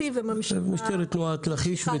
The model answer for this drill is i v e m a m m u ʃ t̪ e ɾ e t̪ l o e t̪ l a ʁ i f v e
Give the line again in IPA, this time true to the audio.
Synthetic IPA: i v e m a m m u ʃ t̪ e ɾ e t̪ l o a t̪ l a χ i ʃ v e

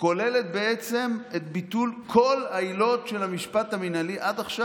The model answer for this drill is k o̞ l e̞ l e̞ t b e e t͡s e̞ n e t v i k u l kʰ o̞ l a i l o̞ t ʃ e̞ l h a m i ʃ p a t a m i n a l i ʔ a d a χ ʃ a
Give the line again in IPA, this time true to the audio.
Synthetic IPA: k o̞ l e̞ l e̞ t b e e t͡s e̞ m e t b i t u l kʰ o̞ l a i l o̞ t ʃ e̞ l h a m i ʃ p a t a m i n a l i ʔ a d a χ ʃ a

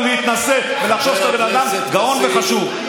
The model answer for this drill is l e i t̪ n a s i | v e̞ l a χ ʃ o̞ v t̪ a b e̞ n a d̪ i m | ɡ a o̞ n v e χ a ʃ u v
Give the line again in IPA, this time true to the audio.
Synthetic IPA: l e i t̪ n a s e | v e̞ l a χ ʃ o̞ v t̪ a b e̞ n a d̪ a m | ɡ a o̞ n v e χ a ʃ u v

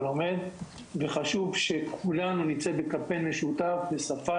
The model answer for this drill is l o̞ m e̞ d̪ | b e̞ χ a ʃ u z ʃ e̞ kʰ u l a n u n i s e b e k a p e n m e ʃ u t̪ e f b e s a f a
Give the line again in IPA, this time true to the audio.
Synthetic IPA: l o̞ m e̞ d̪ | v e̞ χ a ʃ u v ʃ e̞ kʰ u l a n u n i t͡s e b e k a p e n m e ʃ u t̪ a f b e s a f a

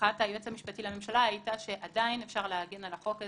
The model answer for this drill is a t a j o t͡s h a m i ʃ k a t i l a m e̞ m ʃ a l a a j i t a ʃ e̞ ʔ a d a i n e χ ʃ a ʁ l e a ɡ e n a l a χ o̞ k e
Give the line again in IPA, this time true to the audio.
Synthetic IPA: a t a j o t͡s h a m i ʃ p a t i l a m e̞ m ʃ a l a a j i t a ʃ e̞ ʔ a d a i n e f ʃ a ʁ l e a ɡ e n a l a χ o̞ k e

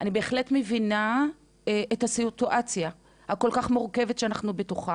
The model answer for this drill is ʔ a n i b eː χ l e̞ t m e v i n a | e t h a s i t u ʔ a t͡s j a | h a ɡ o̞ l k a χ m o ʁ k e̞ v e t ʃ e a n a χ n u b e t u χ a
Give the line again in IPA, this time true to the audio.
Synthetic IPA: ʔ a n i b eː χ l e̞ t m e v i n a | e t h a s i t u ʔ a t͡s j a | h a k o̞ l k a χ m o ʁ k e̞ v e t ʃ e a n a χ n u b e t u χ a

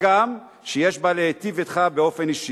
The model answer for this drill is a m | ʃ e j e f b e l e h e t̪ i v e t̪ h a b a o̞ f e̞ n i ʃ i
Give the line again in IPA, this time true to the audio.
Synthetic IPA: a m | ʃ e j e ʃ b a l e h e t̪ i v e t̪ χ a b e o̞ f e̞ n i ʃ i

